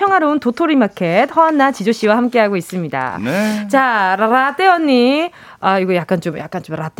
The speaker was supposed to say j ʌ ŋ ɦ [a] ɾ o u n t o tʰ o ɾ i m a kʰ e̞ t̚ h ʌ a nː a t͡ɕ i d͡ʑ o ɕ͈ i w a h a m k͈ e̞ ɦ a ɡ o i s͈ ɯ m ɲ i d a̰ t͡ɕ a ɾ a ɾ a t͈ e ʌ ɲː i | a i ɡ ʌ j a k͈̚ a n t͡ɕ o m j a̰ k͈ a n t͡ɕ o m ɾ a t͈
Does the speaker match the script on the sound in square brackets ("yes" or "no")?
yes